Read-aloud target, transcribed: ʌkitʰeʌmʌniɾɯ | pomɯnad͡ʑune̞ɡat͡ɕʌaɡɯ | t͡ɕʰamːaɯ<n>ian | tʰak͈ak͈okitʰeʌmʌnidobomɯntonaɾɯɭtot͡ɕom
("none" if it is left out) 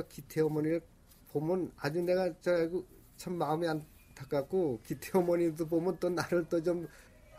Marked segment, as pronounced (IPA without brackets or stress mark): m